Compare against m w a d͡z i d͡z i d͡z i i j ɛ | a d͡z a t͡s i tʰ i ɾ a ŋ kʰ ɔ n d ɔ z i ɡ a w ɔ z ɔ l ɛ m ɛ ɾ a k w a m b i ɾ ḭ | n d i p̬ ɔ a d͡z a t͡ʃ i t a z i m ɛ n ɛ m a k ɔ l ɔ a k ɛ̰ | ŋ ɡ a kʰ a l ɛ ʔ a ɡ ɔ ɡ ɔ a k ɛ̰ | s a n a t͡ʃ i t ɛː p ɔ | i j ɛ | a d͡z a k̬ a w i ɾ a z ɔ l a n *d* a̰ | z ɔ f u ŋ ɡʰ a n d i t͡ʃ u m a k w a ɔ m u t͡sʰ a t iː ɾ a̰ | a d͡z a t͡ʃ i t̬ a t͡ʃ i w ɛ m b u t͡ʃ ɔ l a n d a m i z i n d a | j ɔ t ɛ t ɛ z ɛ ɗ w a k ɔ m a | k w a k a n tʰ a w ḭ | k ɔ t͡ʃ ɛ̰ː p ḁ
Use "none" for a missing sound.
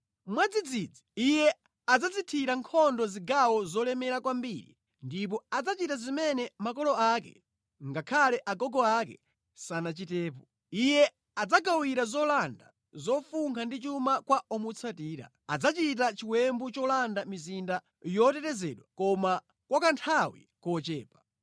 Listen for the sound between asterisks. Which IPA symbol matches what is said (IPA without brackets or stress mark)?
d